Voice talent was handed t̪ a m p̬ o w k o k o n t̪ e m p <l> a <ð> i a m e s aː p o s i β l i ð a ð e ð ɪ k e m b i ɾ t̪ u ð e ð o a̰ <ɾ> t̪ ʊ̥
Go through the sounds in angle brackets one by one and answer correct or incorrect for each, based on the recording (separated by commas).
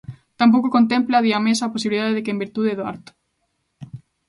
correct, correct, correct